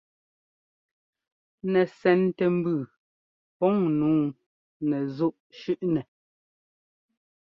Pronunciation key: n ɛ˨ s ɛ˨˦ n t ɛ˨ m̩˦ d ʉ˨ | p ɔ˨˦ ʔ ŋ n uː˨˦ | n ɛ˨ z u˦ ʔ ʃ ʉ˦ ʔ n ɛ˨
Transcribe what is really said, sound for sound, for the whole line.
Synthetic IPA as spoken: n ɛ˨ s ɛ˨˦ n t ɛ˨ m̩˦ b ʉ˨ | p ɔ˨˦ ŋ n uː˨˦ | n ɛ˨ z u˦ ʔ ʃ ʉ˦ ʔ n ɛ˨